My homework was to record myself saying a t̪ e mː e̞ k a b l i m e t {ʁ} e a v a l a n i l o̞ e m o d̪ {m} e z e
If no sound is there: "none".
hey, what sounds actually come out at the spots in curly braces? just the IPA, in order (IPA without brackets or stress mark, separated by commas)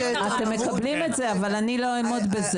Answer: z, b